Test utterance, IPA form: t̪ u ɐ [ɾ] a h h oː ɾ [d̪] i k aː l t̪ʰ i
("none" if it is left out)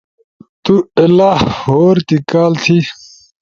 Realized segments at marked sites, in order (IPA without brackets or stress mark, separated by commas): l, t̪